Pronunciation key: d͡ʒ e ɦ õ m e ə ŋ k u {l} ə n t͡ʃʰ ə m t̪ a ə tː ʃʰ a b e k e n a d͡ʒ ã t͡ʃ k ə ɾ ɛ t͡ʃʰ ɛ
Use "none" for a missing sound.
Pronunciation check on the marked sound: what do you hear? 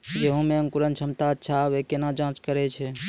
ɾ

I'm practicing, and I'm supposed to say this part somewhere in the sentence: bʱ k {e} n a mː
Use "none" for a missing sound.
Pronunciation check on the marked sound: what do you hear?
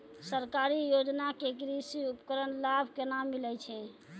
e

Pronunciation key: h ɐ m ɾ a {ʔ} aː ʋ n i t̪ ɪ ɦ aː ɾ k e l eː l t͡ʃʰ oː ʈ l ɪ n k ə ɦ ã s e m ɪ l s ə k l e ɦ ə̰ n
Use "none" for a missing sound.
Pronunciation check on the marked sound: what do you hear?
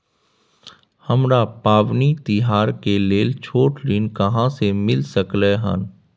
p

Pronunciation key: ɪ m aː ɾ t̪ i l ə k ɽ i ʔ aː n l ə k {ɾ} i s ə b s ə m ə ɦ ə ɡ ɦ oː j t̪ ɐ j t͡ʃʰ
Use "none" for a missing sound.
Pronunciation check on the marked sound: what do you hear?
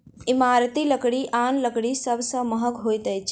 ɽ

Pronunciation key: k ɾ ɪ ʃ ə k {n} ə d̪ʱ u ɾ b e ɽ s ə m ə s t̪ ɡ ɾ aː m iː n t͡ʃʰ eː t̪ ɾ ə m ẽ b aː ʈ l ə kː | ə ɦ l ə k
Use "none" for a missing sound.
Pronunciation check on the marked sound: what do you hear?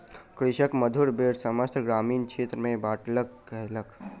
m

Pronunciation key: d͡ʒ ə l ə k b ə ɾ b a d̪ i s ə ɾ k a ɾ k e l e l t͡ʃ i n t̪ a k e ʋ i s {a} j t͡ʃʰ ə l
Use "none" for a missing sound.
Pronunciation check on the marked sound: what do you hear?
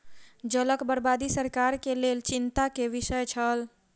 ə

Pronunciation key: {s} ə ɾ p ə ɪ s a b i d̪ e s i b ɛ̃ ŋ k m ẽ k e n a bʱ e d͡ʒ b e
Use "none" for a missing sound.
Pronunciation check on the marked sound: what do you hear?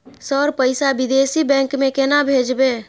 s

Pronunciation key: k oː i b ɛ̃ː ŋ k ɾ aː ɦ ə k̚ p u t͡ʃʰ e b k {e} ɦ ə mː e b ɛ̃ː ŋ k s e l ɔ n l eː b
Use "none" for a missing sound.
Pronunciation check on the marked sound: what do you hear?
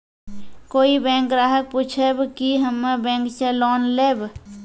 i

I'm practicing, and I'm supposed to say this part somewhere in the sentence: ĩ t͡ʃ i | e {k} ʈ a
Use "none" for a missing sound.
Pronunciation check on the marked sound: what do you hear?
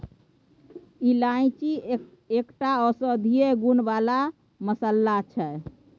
k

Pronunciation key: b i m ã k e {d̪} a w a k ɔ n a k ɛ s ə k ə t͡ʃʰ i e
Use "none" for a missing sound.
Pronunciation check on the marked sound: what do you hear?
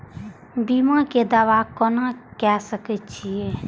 d̪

